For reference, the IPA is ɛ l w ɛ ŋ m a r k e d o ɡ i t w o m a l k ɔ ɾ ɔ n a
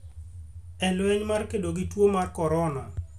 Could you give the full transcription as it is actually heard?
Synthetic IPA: ɛ l w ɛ ɲ m a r k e d o ɡ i t w o m a r k ɔ ɾ ɔ n a